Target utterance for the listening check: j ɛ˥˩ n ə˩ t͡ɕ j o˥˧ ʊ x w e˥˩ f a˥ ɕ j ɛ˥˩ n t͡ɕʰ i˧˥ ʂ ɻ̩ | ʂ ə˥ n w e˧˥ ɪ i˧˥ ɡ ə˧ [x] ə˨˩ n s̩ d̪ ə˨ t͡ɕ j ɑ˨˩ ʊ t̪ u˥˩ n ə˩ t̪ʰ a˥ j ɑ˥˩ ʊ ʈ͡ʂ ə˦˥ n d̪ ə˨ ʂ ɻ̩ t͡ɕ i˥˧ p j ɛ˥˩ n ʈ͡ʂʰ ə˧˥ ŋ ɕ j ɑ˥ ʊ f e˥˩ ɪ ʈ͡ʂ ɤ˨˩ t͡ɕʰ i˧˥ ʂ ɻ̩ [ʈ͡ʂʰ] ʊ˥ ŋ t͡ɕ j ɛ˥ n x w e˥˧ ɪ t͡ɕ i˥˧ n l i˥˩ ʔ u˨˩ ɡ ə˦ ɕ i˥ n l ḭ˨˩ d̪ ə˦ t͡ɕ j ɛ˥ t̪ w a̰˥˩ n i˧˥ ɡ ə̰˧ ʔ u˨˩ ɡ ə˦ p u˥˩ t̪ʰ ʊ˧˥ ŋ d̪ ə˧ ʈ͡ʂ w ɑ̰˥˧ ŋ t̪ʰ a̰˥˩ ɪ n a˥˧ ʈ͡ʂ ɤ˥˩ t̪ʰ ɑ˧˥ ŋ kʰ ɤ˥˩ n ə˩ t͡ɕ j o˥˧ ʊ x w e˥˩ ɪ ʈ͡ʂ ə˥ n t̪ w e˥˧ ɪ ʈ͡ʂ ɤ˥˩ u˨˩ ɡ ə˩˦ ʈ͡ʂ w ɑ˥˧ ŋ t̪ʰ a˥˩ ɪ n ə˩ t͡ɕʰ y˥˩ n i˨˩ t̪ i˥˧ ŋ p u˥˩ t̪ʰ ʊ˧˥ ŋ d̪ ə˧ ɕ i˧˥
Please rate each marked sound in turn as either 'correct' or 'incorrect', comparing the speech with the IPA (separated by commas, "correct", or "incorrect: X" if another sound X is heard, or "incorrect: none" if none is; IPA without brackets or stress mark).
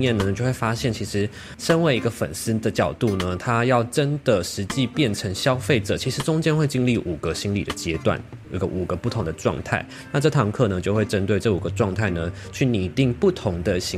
incorrect: f, incorrect: ʈ͡ʂ